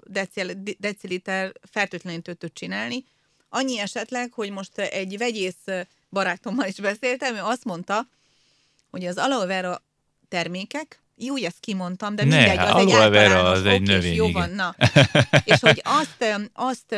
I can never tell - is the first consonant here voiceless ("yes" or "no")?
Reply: no